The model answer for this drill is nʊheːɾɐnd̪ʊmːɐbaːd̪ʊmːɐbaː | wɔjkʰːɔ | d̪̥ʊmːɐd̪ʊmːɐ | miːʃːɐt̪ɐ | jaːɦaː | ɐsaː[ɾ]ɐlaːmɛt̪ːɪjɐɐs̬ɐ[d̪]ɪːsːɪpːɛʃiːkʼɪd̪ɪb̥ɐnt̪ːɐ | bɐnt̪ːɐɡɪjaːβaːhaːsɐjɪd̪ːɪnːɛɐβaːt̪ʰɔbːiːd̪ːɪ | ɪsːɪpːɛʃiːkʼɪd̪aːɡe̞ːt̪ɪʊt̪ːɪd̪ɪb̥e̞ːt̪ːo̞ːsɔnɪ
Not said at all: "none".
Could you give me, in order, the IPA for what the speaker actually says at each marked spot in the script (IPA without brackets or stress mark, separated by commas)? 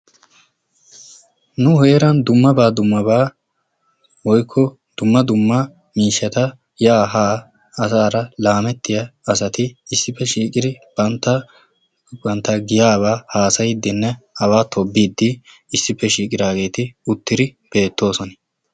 ɾ, t̪